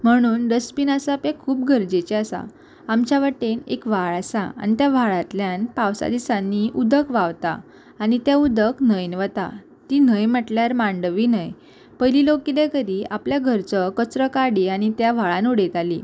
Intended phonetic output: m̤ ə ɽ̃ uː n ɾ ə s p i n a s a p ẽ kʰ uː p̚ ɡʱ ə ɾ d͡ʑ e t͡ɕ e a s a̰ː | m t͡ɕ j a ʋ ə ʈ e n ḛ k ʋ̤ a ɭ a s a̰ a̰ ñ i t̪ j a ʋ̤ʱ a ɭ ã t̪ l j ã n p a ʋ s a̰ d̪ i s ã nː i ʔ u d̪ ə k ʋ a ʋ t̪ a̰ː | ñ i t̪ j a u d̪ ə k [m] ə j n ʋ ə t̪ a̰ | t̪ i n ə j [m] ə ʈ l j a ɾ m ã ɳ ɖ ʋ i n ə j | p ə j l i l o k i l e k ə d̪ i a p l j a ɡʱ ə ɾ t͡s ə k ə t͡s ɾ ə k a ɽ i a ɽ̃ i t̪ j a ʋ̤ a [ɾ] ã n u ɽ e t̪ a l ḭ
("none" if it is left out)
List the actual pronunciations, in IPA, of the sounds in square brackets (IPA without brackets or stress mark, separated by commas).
n, m, ɭ